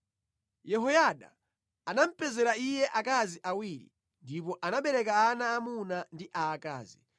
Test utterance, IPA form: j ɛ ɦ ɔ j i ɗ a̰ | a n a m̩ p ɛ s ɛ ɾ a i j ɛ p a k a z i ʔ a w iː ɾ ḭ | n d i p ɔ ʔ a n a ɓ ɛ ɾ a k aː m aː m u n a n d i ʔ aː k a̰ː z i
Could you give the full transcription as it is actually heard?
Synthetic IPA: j ɛ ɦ ɔ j a ɗ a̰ | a n a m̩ p ɛ z ɛ ɾ a i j ɛ ʔ a k a z i ʔ a w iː ɾ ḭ | n d i p ɔ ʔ a n a ɓ ɛ ɾ ɛ k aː n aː m u n a n d i ʔ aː k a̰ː z i